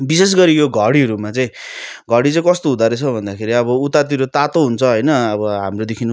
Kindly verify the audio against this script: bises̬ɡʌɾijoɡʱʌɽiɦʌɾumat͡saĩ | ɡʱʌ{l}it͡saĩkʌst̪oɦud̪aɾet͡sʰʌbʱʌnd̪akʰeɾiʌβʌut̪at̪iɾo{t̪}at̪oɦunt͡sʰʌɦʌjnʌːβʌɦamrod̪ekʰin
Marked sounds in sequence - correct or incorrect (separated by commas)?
incorrect, correct